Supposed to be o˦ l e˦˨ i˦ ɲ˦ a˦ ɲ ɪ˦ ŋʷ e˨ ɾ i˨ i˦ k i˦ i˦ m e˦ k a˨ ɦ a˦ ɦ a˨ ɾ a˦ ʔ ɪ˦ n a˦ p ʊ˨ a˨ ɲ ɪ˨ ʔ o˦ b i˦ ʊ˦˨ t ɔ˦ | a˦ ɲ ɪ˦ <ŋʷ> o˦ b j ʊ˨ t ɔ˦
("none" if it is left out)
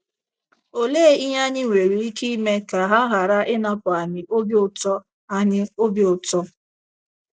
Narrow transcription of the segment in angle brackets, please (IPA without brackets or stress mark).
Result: none